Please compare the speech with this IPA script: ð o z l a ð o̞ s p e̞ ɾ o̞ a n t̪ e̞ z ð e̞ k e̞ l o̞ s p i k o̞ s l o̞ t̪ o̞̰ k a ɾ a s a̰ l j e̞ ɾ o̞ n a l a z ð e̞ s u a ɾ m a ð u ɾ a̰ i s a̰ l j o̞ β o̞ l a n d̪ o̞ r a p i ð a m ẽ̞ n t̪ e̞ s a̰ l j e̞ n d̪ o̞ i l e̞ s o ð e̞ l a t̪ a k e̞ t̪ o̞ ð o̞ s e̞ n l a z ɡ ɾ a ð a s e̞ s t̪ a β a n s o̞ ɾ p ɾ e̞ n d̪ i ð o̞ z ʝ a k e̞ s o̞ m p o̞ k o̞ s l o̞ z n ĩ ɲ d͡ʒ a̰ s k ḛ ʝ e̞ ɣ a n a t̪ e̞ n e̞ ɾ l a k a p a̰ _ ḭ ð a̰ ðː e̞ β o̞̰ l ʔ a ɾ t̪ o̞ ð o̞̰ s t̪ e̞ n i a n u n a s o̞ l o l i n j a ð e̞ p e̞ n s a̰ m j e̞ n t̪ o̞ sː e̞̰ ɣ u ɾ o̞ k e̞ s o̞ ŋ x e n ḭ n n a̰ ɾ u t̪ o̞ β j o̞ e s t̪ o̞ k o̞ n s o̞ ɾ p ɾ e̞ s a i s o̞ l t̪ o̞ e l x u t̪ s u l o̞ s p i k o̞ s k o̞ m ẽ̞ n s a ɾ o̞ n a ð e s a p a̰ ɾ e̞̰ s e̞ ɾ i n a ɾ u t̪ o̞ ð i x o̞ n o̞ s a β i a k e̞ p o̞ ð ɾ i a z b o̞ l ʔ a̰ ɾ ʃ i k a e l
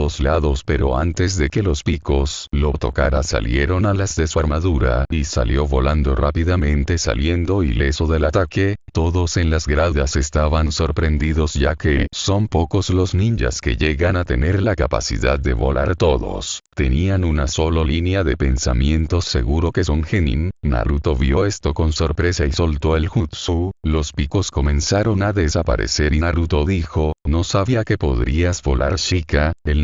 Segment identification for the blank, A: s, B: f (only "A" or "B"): A